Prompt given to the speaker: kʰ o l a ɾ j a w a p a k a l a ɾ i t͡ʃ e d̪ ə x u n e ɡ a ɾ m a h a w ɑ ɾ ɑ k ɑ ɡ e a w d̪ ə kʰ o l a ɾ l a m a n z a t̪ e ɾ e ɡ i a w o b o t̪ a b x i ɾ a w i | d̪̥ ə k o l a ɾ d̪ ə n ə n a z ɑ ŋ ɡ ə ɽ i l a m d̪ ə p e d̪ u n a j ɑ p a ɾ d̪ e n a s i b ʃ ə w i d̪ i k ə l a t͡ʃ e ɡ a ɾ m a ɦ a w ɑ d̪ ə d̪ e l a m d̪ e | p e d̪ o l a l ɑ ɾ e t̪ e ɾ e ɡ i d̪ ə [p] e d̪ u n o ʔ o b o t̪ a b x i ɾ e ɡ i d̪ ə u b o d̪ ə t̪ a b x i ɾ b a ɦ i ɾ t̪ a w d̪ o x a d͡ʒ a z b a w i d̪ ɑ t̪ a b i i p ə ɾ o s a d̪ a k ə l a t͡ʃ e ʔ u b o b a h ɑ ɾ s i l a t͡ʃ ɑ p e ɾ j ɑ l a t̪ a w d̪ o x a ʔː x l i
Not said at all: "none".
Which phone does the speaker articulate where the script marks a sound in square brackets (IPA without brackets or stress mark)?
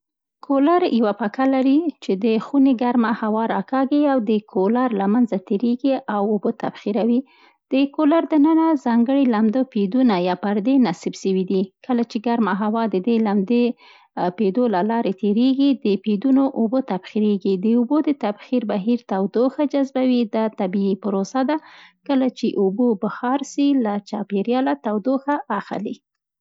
p